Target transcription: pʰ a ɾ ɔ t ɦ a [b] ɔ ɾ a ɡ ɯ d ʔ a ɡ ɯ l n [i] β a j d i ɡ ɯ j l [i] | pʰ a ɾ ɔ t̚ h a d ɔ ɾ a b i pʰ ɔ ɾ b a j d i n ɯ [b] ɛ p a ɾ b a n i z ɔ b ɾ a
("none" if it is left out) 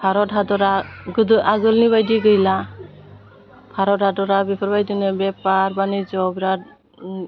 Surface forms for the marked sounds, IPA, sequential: d, i, a, b

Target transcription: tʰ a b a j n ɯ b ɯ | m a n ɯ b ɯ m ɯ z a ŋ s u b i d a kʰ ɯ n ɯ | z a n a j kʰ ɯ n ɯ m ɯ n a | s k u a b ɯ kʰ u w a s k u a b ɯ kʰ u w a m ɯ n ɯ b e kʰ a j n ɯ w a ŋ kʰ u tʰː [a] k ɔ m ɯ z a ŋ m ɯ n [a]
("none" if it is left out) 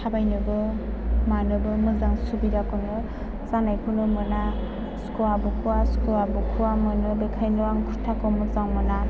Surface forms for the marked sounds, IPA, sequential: a, a

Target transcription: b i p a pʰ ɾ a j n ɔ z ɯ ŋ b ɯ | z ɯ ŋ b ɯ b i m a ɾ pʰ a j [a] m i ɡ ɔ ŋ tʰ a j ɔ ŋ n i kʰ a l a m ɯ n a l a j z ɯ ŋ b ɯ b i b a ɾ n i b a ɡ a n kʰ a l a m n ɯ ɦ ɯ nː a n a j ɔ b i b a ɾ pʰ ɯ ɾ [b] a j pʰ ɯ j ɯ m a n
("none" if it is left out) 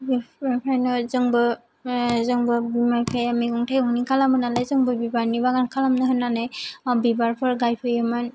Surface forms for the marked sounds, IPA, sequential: a, ɡ

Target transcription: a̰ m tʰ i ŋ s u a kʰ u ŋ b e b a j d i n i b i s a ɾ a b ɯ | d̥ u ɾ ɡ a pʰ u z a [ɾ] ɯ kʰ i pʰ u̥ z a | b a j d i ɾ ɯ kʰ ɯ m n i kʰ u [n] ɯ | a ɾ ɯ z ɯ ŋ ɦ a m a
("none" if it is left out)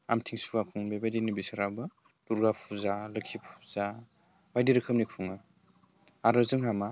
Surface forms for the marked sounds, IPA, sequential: l, ŋ

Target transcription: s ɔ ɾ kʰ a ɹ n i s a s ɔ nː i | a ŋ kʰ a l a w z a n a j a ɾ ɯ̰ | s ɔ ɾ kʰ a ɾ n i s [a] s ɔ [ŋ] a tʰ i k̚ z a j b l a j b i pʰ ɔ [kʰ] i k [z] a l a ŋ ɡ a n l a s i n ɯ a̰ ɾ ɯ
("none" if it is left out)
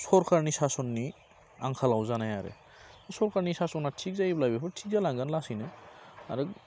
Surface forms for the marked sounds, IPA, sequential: a, n, tʰ, z

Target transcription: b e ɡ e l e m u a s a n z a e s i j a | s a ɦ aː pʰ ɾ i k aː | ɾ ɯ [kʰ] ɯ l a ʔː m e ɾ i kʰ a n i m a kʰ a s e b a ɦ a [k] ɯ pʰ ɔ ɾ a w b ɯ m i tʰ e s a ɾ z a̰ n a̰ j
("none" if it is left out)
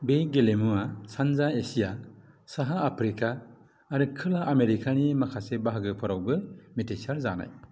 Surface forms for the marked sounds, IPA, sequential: kʰ, ɡ

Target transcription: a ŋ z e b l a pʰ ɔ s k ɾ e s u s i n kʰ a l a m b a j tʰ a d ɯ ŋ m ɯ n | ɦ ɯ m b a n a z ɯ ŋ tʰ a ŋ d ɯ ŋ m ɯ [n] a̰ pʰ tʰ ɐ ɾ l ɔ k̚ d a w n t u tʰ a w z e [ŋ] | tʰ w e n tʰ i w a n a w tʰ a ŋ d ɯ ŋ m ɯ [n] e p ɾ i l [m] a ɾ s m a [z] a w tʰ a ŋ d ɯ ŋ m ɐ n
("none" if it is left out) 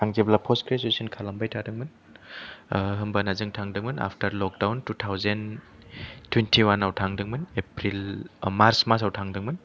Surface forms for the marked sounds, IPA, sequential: n, n, n, m, s

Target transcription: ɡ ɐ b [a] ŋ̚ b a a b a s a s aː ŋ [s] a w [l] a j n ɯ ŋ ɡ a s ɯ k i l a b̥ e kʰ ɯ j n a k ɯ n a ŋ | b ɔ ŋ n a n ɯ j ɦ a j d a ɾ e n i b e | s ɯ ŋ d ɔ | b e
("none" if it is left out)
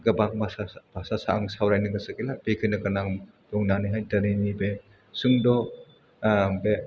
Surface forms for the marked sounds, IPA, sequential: a, s, ɾ

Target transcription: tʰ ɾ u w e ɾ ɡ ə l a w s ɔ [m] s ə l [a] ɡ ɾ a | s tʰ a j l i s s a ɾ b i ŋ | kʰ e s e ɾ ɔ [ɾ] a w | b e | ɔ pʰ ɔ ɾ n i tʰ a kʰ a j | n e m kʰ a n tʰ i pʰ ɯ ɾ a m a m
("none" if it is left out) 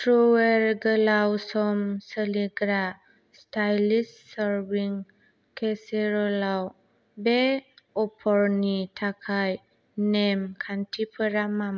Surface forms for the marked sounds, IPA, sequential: m, i, l

